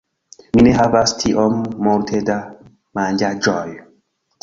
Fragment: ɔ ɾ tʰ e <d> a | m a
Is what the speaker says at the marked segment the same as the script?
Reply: yes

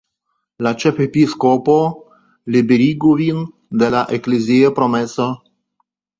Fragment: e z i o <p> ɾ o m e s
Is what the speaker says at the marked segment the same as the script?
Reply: yes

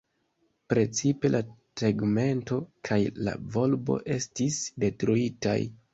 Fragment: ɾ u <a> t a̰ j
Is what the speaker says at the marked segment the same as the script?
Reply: no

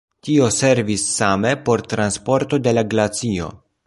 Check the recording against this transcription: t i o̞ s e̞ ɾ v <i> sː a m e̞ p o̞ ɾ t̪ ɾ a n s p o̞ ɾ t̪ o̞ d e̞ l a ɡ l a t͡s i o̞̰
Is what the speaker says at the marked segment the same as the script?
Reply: yes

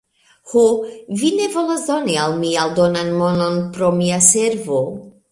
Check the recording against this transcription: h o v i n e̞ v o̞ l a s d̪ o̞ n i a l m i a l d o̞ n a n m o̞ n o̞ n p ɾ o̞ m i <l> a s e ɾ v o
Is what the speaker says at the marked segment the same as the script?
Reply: no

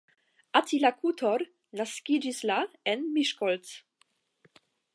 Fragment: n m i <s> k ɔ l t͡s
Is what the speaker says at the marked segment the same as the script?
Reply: no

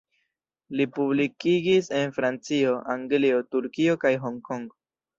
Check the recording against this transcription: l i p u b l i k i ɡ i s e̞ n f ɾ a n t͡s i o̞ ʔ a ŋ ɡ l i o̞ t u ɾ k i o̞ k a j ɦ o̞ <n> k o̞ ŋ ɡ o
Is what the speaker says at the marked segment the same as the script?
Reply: no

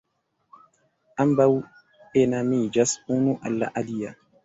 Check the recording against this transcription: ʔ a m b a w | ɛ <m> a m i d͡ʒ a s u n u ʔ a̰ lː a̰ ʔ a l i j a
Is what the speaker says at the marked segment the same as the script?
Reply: no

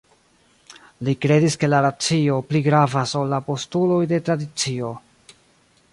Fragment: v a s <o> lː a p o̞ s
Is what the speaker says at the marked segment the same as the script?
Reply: yes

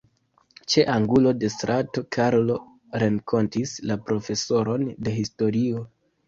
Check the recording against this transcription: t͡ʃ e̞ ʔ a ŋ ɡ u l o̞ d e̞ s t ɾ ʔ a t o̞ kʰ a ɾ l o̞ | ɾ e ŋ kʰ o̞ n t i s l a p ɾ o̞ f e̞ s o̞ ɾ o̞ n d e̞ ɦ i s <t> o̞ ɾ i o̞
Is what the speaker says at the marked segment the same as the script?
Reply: yes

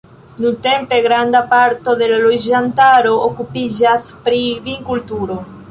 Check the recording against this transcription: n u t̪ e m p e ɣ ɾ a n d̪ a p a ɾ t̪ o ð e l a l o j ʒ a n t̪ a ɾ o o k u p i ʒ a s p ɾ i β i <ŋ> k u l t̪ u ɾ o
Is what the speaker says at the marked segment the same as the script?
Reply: yes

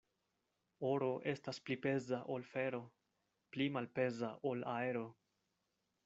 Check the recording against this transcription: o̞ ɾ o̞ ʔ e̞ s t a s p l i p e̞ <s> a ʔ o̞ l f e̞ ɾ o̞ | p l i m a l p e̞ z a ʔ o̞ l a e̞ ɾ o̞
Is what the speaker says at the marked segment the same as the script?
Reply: no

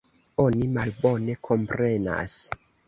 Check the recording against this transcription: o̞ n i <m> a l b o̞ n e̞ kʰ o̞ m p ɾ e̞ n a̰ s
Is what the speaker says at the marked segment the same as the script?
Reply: yes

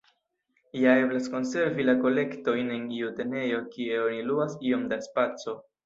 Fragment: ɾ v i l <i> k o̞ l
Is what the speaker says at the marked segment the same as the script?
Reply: no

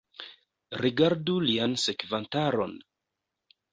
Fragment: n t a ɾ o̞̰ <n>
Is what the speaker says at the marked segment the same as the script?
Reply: yes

